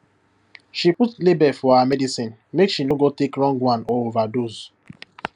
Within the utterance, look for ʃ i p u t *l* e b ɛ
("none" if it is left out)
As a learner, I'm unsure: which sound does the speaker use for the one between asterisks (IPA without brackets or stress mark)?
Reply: l